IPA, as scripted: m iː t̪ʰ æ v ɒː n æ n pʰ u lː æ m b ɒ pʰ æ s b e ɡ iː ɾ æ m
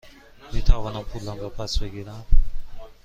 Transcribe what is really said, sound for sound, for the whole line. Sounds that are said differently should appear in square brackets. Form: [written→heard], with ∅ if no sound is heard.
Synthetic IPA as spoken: m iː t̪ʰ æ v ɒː n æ [n→m] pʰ u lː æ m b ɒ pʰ æ s b e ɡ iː ɾ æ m